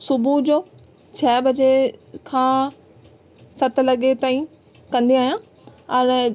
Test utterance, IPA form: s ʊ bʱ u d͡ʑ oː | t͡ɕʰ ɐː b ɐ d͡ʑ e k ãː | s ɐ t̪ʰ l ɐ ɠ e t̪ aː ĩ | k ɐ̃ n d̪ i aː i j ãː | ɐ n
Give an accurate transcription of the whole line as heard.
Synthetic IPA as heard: s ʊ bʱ u d͡ʑ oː | t͡ɕʰ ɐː b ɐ d͡ʑ e kʰ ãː | s ɐ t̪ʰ l ɐ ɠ e t̪ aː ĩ | k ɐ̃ n d̪ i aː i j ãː | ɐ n